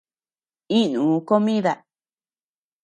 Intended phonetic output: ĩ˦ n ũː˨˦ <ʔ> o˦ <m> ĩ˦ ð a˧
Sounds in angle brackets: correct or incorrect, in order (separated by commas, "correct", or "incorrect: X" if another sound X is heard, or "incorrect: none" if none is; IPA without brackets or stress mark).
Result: incorrect: k, correct